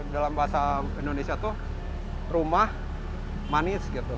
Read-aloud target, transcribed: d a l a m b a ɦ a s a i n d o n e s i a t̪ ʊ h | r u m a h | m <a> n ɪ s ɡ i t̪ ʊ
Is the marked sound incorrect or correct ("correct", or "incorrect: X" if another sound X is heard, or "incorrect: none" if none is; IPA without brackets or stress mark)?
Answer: correct